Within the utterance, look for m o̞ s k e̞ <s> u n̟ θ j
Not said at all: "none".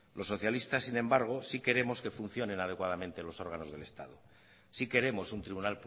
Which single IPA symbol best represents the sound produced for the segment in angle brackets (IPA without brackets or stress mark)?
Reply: f